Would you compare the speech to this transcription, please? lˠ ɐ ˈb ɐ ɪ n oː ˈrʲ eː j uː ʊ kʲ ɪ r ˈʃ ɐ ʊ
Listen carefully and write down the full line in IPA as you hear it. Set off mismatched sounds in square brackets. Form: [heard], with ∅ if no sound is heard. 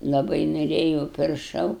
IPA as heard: lˠ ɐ ˈb ɐ ɪ n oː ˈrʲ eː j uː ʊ [pʲ] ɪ r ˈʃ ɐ ʊ